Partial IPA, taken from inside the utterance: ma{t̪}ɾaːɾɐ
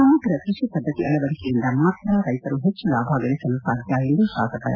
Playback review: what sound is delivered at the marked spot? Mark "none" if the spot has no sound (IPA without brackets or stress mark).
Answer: t̪